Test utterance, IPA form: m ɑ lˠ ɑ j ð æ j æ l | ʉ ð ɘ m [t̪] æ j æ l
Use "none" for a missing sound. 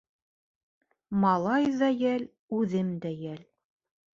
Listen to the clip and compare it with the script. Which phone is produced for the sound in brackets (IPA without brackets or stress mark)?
d̪